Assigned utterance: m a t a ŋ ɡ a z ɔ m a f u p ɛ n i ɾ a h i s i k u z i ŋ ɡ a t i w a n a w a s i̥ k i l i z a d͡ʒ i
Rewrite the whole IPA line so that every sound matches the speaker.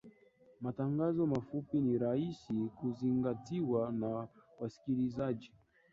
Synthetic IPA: m a t a ŋ ɡ a z ɔ m a f u p i n i ɾ a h i s i k u z i ŋ ɡ a t i w a n a w a s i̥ k i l i z a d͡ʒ i